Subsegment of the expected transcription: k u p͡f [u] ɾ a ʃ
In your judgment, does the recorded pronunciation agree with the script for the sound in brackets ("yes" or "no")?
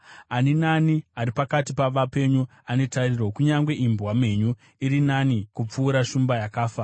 no